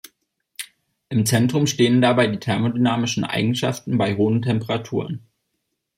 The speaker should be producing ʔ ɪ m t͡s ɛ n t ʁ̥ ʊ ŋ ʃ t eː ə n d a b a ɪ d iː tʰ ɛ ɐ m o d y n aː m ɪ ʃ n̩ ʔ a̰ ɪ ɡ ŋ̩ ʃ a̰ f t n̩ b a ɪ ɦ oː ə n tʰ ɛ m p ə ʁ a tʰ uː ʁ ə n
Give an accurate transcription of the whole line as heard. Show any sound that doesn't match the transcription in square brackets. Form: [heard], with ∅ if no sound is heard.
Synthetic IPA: ʔ ɪ m t͡s ɛ n t ʁ̥ ʊ [m] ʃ t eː ə n d a b a ɪ d iː tʰ ɛ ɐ m o d y n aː m ɪ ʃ n̩ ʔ a̰ ɪ ɡ ŋ̩ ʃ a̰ f t n̩ b a ɪ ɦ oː ə n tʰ ɛ m p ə ʁ a tʰ uː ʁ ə n